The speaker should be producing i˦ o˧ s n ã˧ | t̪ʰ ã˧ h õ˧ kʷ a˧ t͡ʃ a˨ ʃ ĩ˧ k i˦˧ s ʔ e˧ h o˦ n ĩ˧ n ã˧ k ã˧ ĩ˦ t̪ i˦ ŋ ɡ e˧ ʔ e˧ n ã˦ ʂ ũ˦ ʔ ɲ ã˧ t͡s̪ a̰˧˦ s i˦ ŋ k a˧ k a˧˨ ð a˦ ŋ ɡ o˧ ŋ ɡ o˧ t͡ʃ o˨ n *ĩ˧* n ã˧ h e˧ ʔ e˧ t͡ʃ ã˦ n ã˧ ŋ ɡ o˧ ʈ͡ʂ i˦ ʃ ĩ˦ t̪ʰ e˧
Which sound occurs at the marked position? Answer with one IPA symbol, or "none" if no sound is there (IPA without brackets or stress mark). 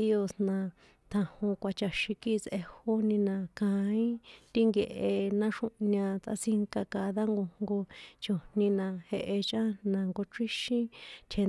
ĩ˧